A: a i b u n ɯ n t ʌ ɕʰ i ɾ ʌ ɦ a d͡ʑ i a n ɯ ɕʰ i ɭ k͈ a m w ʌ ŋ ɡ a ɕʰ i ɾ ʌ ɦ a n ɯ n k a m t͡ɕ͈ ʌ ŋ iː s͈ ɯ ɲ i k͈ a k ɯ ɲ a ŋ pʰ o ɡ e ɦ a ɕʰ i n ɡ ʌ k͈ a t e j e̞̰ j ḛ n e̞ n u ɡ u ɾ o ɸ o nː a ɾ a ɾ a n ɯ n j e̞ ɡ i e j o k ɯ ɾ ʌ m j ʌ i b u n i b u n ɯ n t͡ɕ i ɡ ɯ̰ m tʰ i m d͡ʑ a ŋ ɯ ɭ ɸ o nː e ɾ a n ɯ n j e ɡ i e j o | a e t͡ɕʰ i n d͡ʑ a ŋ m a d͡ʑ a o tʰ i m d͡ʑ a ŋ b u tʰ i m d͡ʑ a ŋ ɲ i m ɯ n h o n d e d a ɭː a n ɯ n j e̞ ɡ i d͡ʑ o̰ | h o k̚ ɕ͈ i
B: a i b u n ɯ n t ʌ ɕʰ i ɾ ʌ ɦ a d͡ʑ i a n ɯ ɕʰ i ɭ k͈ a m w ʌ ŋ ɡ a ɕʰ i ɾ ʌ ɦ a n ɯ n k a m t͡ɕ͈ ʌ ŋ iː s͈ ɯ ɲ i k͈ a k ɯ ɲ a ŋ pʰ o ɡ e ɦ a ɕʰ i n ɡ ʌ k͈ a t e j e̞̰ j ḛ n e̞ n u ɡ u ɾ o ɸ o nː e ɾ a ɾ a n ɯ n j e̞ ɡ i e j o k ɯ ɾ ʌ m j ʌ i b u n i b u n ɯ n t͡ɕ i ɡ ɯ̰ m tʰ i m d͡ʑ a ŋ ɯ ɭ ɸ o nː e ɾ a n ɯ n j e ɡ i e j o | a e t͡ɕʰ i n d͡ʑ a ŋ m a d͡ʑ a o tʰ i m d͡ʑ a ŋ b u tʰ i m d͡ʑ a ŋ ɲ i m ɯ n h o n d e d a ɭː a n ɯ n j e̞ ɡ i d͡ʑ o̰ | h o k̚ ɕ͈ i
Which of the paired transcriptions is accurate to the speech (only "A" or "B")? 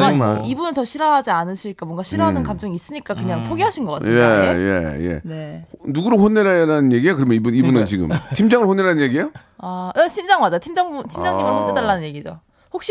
B